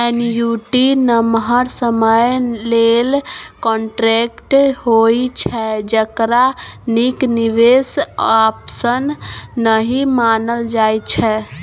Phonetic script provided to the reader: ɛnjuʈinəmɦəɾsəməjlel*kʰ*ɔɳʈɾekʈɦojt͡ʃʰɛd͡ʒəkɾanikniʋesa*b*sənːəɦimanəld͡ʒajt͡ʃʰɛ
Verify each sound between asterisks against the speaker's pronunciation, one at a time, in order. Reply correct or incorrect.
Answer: incorrect: k, incorrect: p

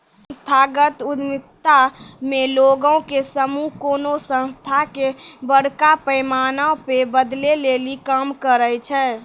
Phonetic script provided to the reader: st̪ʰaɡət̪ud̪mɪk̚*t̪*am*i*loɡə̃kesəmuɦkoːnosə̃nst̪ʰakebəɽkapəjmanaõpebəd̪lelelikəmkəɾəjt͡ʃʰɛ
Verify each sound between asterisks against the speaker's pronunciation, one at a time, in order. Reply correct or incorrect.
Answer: correct, incorrect: e

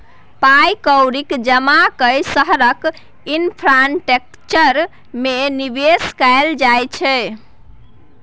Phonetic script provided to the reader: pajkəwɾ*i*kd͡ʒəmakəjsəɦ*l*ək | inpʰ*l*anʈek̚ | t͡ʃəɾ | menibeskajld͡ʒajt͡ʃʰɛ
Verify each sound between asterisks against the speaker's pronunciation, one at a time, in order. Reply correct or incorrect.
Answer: correct, incorrect: ɾ, incorrect: ɾ

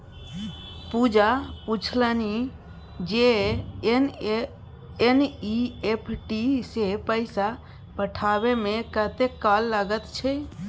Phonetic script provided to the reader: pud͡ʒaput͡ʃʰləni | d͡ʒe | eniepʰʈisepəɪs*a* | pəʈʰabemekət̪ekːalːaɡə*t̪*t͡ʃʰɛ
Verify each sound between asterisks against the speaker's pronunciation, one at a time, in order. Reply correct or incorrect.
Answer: correct, correct

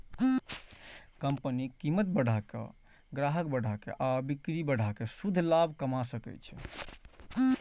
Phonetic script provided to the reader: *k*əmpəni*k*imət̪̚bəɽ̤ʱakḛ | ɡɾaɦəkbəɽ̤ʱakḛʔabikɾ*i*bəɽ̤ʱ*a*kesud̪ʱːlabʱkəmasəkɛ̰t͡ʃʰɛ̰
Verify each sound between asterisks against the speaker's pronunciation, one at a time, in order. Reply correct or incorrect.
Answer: correct, correct, correct, correct

